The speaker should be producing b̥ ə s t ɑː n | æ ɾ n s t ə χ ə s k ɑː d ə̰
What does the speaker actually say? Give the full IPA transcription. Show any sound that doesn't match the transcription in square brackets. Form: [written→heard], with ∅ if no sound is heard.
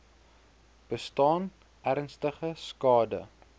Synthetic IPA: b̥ ə s t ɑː n | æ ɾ n s t ə χ ə s k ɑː d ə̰